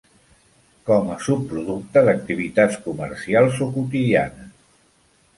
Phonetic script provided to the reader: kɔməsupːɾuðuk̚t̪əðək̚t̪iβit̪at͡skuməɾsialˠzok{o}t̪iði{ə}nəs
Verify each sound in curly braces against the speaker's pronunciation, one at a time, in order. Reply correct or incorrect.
incorrect: u, incorrect: a

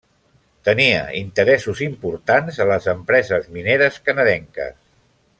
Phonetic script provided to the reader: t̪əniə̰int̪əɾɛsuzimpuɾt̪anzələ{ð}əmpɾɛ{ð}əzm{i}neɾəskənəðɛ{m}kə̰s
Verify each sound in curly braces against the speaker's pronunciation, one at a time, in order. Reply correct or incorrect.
incorrect: z, incorrect: z, correct, incorrect: ŋ

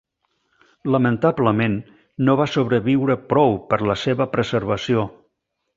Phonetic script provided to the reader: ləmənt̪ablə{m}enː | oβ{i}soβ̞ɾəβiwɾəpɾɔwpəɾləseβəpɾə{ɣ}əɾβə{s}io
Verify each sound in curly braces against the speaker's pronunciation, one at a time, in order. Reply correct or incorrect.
correct, incorrect: a, incorrect: z, correct

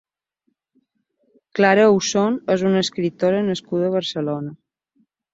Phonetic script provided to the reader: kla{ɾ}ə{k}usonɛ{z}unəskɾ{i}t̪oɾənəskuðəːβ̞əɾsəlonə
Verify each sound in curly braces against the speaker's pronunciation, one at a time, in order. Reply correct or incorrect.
correct, incorrect: none, correct, correct

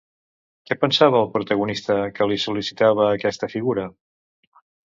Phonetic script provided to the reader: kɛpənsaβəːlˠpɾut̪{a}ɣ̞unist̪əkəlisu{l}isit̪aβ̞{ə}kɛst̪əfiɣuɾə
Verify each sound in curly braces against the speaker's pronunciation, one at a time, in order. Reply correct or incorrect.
incorrect: ə, correct, incorrect: əː

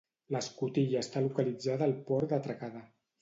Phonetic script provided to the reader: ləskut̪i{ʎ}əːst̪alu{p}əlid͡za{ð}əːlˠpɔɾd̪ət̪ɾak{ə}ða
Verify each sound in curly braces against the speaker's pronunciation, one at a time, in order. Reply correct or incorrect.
correct, incorrect: k, correct, incorrect: a

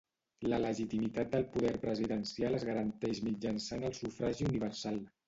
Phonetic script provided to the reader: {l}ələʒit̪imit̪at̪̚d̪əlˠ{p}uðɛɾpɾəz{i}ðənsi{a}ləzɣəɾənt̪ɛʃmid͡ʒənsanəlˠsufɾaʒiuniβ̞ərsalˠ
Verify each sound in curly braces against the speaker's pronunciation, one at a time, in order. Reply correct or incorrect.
correct, correct, correct, correct

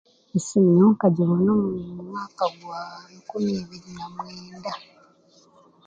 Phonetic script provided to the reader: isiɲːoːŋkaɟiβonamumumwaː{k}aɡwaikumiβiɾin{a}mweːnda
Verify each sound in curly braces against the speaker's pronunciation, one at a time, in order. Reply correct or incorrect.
correct, correct

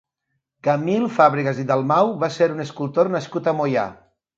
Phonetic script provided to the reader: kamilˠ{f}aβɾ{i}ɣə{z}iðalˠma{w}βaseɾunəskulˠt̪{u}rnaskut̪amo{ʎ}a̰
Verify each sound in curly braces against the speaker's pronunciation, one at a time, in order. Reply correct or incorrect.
correct, correct, correct, correct, incorrect: o, incorrect: j

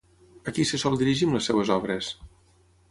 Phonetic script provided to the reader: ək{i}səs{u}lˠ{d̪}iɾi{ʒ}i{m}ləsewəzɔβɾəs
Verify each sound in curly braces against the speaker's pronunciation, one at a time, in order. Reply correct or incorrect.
correct, incorrect: ɔ, correct, correct, correct

